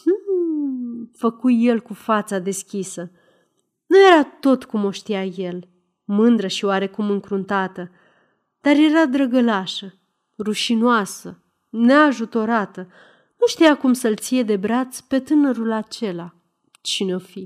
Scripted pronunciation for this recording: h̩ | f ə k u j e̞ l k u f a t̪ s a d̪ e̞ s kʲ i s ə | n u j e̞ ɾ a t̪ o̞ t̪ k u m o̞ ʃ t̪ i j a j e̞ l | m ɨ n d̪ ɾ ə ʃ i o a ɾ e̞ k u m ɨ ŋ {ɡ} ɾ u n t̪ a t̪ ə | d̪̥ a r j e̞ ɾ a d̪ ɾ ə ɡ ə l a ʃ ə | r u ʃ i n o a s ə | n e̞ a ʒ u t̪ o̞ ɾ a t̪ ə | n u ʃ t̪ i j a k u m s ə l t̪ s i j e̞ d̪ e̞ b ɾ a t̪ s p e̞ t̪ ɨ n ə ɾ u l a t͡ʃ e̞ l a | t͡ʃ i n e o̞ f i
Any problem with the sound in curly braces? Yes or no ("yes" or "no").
yes